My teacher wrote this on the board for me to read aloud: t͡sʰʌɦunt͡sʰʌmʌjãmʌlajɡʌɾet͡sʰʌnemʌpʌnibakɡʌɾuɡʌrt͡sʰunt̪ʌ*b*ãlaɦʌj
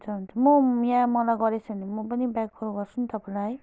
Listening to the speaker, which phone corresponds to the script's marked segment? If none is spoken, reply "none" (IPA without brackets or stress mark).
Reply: p